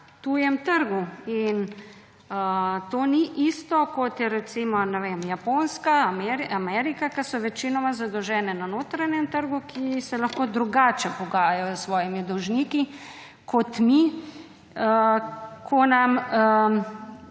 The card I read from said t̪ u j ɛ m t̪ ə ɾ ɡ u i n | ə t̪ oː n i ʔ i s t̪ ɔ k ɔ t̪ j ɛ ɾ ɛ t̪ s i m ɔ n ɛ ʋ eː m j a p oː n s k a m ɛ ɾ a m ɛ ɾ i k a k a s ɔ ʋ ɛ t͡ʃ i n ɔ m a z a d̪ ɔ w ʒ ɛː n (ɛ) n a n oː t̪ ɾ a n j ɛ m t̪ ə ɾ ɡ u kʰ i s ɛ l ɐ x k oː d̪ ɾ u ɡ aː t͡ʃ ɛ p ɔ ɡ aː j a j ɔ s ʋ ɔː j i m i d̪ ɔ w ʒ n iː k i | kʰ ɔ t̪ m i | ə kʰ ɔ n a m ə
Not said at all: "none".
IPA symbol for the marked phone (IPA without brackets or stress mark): ɛ